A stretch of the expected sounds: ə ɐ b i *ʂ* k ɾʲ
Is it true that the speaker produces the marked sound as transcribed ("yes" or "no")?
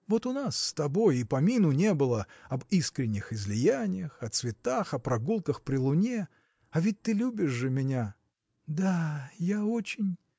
no